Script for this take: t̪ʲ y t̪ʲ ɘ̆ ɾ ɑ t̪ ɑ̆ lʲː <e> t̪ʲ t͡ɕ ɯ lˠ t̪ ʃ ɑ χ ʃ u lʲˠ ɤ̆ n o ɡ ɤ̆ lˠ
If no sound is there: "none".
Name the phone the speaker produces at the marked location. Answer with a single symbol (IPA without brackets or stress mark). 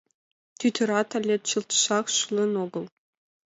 e